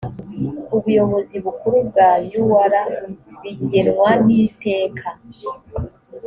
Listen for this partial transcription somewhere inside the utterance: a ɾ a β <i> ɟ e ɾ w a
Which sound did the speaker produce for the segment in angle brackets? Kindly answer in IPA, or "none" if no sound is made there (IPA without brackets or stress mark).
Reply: i